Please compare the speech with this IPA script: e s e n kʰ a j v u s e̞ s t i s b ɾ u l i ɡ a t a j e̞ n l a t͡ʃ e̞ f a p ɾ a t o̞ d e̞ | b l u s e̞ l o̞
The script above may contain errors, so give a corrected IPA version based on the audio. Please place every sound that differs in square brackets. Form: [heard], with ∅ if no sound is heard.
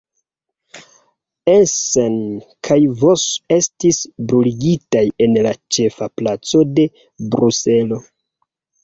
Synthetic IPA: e s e n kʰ a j v [o] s e̞ s t i s b ɾ u l i ɡ [i] t a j e̞ n l a t͡ʃ e̞ f a p [l] a [t͡s] o̞ d e̞ | b [ɾ] u s e̞ l o̞